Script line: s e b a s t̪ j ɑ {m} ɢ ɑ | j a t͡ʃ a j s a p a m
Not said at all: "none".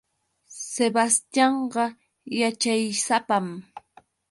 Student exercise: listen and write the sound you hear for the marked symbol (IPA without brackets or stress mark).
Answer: ɴ